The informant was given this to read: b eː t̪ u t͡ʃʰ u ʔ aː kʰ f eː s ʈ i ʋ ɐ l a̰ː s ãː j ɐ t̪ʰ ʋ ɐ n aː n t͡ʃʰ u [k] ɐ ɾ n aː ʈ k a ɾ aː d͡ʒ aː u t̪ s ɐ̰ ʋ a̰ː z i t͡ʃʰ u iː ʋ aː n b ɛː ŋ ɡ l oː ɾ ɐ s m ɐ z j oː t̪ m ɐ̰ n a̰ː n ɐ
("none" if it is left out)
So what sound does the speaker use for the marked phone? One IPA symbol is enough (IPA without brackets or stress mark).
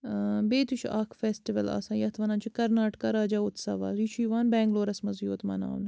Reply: k